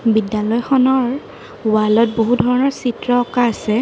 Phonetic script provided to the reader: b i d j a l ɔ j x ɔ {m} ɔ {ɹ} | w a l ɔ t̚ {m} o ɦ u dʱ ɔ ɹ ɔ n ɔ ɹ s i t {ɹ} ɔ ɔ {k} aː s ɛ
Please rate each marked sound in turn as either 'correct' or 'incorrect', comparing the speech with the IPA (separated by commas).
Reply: incorrect, correct, incorrect, correct, correct